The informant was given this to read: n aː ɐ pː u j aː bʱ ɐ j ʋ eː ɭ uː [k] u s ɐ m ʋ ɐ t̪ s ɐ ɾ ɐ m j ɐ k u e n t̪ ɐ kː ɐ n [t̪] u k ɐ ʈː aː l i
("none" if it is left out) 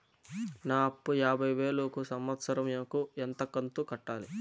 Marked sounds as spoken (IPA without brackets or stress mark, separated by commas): k, t̪